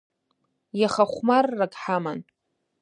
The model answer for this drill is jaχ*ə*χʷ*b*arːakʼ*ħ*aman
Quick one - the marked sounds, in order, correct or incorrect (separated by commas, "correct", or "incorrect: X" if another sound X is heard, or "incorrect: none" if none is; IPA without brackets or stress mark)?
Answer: incorrect: a, incorrect: m, correct